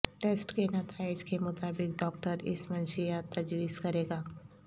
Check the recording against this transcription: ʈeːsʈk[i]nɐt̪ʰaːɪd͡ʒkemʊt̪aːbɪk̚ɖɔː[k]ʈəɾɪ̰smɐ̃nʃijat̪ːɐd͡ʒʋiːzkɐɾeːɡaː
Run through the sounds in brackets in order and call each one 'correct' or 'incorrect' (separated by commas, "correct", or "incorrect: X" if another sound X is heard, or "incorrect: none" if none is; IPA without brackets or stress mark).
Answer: incorrect: e, correct